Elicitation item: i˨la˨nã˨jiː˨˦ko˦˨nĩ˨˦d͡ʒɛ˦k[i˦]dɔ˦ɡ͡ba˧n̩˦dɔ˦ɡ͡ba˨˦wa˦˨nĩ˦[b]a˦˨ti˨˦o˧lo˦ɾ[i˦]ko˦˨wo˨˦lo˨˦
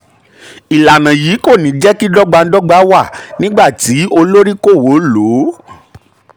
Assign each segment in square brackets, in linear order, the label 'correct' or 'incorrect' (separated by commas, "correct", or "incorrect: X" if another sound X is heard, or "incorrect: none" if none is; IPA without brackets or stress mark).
correct, incorrect: ɡ͡b, correct